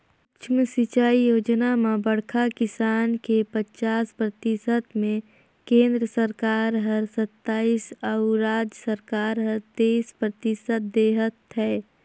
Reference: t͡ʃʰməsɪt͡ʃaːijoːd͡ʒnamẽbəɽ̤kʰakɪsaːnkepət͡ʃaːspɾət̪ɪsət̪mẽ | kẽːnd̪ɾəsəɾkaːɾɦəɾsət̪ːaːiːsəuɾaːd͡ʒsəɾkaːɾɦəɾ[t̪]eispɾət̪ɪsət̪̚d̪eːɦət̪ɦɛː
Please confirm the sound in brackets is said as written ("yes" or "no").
yes